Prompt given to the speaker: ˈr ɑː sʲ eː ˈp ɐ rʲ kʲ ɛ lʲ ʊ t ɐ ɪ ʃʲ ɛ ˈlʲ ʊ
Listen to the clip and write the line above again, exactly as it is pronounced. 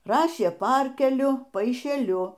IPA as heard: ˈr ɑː ʃʲ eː ˈp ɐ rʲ kʲ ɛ lʲ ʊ p ɐ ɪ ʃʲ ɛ ˈlʲ ʊ